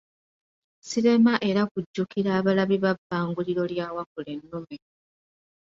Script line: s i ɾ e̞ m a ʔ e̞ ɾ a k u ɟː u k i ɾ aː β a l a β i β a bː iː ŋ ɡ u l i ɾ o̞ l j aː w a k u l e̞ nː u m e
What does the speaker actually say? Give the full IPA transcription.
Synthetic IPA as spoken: s i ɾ e̞ m a ʔ e̞ ɾ a k u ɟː u k i ɾ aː β a l a β i β a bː aː ŋ ɡ u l i ɾ o̞ l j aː w a k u l e̞ nː u m e